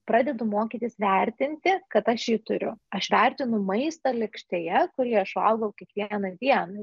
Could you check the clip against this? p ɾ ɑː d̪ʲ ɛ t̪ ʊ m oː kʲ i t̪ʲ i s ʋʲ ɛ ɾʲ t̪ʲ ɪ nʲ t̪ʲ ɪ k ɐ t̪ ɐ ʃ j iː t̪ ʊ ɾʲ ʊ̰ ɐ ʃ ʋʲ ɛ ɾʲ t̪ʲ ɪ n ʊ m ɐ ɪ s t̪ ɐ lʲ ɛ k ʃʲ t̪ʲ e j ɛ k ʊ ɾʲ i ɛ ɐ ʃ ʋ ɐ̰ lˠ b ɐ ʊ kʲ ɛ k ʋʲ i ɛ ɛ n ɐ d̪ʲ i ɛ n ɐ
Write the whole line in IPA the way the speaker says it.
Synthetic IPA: p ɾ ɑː d̪ʲ ɛ d̪ ʊ m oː kʲ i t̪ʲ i s ʋʲ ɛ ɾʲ t̪ʲ ɪ nʲ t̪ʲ ɪ k ɐ t̪ ɐ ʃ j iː t̪ ʊ ɾʲ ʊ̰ ɐ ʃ ʋʲ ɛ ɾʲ t̪ʲ ɪ n ʊ m ɐ ɪ s t̪ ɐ lʲ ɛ k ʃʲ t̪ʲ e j ɛ k ʊ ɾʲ i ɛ ɐ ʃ ʋ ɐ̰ lˠ ɡ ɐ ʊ kʲ ɛ k ʋʲ i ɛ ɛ n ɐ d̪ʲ i ɛ n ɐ